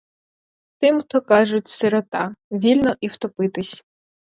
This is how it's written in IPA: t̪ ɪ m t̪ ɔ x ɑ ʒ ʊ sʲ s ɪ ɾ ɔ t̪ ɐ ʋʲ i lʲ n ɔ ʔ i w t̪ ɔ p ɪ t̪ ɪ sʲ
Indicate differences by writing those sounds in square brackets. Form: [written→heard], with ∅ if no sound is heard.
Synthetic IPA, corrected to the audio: t̪ ɪ m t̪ ɔ [x→k] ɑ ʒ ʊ [sʲ→tʲ] s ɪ ɾ ɔ t̪ [ɐ→ɑ] ʋʲ i lʲ n ɔ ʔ i w t̪ ɔ p ɪ t̪ ɪ sʲ